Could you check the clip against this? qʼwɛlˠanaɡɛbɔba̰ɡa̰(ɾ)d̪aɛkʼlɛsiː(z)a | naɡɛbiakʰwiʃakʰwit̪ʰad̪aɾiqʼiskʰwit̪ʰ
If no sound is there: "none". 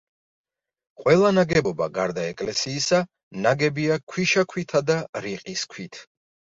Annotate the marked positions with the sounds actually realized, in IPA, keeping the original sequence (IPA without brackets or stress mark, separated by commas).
ɾ, s